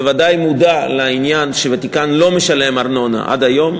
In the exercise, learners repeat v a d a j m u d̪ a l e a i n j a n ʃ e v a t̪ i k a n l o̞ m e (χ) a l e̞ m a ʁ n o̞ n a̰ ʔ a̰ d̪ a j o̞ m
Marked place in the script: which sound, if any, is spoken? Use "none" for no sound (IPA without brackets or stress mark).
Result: ʃ